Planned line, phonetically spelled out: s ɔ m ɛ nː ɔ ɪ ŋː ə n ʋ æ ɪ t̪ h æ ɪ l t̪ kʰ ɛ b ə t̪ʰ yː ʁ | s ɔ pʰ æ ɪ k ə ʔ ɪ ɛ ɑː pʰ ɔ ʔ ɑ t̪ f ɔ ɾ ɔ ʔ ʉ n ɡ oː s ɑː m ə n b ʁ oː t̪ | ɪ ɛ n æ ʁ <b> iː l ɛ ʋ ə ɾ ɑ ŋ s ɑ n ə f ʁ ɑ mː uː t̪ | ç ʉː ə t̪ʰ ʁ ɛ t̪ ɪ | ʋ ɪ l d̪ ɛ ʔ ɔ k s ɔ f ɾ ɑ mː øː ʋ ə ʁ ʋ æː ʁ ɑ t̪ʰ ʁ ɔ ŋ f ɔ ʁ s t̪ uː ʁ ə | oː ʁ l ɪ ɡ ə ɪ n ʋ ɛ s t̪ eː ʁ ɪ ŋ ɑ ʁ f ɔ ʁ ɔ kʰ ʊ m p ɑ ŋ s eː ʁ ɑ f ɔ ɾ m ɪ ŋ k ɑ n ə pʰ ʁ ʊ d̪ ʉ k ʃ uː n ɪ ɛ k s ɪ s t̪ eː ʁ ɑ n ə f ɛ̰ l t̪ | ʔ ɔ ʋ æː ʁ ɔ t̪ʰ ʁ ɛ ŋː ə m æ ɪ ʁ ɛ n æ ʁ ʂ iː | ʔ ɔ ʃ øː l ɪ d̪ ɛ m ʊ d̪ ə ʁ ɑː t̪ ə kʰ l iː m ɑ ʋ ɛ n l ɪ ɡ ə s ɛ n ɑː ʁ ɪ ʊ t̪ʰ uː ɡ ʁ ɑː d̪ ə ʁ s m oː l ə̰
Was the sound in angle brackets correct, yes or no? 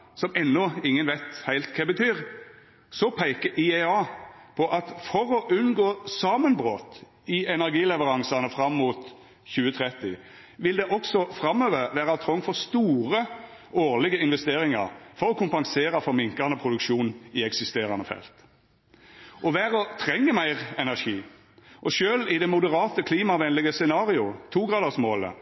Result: no